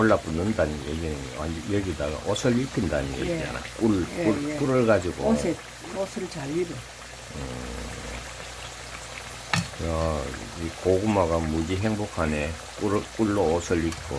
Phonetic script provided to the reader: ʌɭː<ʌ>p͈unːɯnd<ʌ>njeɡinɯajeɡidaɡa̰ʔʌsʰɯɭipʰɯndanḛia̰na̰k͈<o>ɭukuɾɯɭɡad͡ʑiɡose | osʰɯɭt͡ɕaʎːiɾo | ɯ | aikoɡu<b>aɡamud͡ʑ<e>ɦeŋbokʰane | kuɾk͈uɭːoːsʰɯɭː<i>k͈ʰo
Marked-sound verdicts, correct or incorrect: incorrect, incorrect, incorrect, incorrect, incorrect, correct

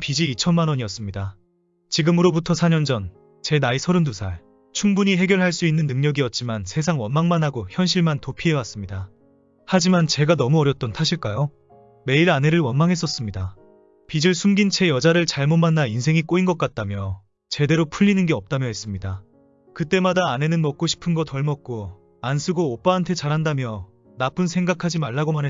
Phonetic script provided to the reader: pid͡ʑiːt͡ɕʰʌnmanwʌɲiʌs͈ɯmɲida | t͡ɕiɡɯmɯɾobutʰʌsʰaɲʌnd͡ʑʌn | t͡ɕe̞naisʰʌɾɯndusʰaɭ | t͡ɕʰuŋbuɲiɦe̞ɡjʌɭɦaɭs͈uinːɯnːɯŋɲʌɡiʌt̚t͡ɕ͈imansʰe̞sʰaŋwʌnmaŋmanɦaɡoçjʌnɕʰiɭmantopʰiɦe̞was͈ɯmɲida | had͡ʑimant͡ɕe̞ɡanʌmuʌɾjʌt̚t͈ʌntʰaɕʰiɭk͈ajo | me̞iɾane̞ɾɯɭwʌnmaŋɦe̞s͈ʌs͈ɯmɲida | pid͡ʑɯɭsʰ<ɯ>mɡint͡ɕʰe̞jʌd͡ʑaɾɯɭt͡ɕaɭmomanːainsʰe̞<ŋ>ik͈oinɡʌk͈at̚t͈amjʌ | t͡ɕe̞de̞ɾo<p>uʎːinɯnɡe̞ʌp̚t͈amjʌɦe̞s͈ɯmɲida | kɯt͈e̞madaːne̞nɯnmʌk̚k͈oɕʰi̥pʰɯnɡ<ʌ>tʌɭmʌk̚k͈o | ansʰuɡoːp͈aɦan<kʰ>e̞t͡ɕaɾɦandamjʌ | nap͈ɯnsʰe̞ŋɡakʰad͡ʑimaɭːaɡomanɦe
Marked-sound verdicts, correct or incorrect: incorrect, correct, incorrect, correct, incorrect

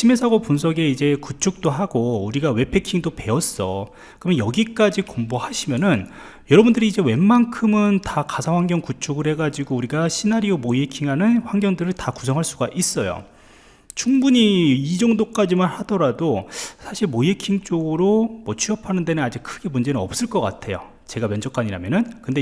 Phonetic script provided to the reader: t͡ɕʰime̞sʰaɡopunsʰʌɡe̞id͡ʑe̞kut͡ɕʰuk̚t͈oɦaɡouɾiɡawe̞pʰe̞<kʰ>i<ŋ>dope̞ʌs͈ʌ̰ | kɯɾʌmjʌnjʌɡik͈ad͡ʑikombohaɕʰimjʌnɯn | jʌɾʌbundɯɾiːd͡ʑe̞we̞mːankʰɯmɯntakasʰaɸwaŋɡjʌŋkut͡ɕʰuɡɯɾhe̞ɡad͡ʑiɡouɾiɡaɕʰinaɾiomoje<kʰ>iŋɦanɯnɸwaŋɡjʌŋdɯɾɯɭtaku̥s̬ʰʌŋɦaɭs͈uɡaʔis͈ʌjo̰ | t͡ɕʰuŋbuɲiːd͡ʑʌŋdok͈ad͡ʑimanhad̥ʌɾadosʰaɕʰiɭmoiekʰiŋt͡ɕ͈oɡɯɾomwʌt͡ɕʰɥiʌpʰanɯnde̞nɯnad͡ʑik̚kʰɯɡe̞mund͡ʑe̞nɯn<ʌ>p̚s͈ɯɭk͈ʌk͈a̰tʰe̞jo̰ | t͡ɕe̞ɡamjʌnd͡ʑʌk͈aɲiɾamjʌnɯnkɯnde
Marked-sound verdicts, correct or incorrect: correct, correct, correct, correct

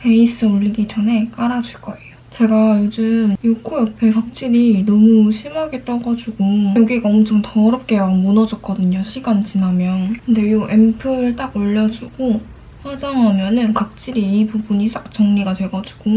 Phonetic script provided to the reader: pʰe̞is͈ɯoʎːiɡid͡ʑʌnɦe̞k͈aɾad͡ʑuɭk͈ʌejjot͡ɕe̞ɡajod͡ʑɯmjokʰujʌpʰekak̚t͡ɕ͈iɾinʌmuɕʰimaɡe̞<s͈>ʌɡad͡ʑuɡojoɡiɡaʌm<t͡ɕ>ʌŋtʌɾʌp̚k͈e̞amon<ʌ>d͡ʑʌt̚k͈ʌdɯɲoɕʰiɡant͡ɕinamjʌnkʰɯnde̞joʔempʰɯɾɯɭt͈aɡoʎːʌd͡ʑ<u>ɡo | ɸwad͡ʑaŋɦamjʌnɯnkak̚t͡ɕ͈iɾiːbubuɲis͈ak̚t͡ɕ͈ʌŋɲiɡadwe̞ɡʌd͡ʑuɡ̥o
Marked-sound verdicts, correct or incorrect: incorrect, incorrect, correct, correct

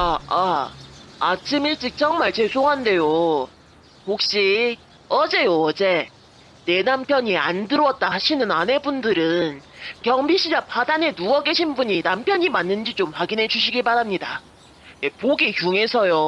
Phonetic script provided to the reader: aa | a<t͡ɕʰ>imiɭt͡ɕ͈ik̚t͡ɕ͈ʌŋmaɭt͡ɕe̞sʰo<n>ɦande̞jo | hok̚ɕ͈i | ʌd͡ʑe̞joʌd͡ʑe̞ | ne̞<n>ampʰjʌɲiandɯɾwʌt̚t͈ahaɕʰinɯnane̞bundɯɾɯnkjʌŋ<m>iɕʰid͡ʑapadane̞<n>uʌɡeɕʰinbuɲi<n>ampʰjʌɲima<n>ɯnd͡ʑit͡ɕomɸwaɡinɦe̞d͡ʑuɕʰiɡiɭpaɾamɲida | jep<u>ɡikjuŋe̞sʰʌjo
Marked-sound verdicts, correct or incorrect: correct, incorrect, correct, incorrect, correct, correct, incorrect, incorrect

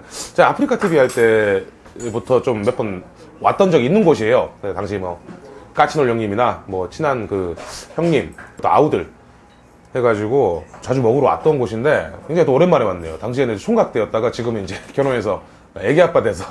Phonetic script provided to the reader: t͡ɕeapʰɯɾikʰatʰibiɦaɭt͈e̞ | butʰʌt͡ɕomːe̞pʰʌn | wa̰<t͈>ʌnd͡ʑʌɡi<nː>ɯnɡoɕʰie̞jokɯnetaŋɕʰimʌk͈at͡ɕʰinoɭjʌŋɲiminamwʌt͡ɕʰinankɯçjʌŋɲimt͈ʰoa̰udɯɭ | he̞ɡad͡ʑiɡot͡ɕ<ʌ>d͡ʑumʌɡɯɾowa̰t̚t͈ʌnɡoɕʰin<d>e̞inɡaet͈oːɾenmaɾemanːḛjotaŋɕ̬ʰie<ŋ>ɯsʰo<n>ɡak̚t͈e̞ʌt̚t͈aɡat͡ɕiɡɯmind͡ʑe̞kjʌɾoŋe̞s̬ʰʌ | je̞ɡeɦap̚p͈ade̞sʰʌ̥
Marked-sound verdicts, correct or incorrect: correct, correct, incorrect, correct, incorrect, incorrect

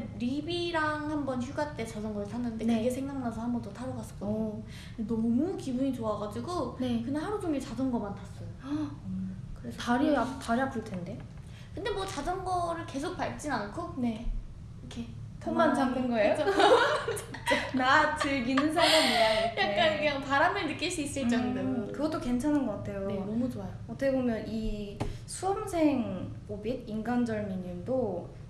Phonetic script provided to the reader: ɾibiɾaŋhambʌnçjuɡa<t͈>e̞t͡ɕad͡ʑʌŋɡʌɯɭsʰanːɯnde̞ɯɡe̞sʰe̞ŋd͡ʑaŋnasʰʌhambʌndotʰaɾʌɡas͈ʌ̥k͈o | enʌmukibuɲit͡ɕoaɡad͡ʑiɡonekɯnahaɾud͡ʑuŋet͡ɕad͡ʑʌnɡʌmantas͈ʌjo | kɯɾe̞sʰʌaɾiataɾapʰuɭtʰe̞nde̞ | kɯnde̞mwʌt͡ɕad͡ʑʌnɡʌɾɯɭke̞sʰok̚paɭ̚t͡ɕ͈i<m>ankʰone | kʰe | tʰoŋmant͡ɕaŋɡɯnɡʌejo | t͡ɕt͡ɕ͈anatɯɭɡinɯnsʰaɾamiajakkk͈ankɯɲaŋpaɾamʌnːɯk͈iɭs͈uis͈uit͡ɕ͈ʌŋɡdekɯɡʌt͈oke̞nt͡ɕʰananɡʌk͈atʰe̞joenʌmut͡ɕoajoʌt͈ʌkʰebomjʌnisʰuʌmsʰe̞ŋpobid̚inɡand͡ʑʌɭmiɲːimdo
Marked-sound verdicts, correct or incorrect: correct, incorrect

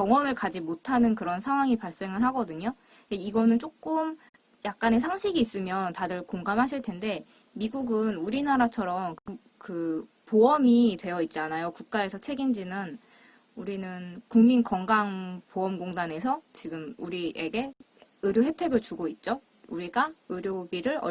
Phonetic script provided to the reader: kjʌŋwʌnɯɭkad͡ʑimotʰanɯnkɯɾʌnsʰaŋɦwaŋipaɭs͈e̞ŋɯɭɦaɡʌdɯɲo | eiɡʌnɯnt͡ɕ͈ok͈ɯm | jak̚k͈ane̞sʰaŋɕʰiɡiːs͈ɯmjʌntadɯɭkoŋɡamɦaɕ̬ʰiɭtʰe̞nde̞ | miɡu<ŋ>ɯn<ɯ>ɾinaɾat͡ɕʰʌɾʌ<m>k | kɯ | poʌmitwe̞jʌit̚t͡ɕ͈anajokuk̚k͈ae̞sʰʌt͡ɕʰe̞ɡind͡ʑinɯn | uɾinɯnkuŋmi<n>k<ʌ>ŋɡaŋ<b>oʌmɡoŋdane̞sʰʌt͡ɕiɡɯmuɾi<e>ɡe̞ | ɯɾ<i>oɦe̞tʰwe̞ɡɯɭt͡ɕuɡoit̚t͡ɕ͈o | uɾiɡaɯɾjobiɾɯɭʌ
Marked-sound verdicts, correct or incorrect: incorrect, incorrect, correct, correct, correct, incorrect, correct, incorrect

